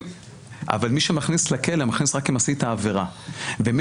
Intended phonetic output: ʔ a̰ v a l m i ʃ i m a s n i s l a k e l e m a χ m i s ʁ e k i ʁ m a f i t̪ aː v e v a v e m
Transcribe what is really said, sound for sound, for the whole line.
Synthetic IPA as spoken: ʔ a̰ v a l m i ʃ e m a χ n i s l a k e l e m a χ n i s ʁ a k i m a s i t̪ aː v e ʁ a v e m